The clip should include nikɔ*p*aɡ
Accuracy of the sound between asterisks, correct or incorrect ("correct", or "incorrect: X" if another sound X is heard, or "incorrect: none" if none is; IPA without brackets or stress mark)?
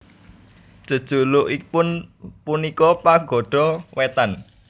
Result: correct